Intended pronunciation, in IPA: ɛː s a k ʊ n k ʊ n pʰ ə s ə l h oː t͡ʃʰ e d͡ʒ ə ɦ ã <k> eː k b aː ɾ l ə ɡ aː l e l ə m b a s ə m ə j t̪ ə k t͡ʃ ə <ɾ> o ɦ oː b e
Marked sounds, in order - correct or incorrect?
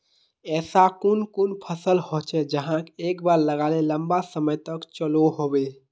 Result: correct, incorrect

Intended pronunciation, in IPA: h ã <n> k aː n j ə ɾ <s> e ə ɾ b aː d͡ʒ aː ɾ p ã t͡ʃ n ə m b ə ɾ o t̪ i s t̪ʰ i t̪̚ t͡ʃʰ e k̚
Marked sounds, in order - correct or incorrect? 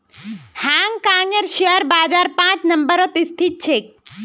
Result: incorrect, incorrect

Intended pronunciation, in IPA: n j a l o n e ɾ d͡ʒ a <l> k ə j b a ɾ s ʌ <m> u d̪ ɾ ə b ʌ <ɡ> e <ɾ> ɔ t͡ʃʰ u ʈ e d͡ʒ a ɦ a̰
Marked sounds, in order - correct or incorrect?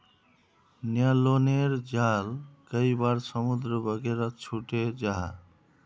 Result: correct, correct, correct, correct

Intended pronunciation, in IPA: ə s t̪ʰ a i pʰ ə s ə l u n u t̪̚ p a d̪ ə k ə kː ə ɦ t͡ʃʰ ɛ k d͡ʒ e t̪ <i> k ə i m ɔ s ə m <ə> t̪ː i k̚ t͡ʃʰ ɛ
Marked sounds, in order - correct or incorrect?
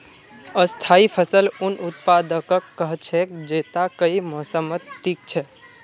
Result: incorrect, correct

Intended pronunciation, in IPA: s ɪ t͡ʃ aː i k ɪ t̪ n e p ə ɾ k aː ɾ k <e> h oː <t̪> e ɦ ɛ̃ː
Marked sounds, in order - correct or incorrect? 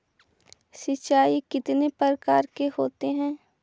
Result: correct, correct

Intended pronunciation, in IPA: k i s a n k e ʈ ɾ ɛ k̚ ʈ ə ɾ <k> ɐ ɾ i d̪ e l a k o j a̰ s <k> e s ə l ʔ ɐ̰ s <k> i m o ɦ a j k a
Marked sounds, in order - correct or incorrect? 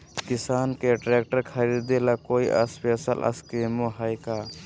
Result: incorrect, incorrect, correct

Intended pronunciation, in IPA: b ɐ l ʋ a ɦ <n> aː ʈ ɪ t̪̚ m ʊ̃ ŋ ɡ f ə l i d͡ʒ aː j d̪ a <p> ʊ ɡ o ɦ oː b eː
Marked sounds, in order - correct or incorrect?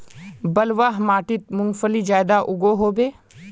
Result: incorrect, incorrect

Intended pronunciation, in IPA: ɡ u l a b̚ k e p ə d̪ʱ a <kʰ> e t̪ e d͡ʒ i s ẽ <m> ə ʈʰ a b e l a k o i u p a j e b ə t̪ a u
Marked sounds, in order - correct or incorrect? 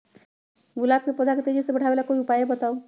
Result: incorrect, incorrect

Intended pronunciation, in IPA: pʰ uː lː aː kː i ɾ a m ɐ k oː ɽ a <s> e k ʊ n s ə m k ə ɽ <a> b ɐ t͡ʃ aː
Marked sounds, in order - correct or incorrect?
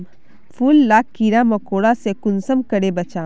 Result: correct, incorrect

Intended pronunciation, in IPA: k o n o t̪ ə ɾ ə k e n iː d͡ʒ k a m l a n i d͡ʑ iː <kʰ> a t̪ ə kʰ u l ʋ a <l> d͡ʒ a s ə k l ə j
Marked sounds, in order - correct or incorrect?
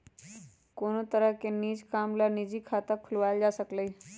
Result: correct, correct

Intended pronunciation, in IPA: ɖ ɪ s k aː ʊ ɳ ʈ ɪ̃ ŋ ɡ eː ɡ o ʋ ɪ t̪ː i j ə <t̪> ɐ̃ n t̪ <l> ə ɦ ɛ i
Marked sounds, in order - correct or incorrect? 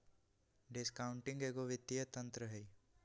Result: correct, incorrect

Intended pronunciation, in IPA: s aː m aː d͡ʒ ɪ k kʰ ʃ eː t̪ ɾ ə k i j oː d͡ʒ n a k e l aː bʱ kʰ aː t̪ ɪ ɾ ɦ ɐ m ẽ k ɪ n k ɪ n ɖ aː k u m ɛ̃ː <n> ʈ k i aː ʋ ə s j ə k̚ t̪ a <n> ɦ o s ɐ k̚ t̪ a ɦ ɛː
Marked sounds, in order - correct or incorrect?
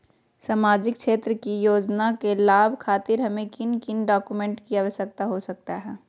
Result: incorrect, incorrect

